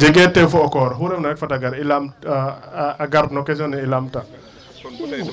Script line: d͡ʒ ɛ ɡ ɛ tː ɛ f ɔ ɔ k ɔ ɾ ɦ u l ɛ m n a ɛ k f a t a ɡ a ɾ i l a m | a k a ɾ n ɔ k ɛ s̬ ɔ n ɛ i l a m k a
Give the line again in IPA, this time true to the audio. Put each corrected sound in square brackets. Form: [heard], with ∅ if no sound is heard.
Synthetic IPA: d͡ʒ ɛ ɡ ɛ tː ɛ f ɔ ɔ k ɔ ɾ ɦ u [ɾ] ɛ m n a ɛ k f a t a ɡ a ɾ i l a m | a [ɡ] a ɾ n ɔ k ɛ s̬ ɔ n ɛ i l a m [t] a